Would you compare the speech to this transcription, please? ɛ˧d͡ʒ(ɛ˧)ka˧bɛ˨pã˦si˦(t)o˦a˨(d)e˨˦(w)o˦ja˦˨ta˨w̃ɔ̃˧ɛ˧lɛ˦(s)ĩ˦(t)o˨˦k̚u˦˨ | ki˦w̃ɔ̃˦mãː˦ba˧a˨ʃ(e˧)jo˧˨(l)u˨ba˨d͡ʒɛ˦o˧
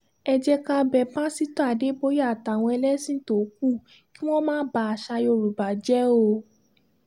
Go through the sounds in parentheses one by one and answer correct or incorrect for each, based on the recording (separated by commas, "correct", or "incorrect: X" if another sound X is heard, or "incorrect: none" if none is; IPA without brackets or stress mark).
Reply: correct, correct, correct, incorrect: b, correct, correct, incorrect: a˧, incorrect: ɾ